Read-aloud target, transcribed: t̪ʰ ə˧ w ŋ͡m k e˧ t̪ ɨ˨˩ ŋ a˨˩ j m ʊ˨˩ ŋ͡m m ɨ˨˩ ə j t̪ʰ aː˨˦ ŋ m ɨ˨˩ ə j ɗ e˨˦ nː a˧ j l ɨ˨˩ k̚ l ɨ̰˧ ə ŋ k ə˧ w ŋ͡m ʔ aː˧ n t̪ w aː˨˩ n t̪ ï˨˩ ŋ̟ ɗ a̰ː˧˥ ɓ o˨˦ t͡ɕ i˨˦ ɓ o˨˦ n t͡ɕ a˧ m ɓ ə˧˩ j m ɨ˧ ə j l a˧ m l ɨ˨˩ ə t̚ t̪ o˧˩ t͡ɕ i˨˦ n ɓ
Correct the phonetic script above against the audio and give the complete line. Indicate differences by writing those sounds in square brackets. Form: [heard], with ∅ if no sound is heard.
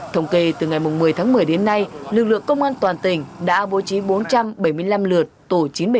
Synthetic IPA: t̪ʰ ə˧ w ŋ͡m k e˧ t̪ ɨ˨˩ ŋ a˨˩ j m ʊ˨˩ ŋ͡m m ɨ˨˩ ə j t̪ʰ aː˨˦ ŋ m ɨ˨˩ ə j ɗ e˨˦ nː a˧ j l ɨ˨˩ k̚ l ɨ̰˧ ə ŋ k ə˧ w ŋ͡m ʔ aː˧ n t̪ w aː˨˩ n t̪ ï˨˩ ŋ̟ ɗ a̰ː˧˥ ɓ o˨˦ t͡ɕ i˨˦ ɓ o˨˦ n t͡ɕ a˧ m ɓ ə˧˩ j m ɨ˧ ə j l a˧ m l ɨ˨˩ ə t̚ t̪ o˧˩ t͡ɕ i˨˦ n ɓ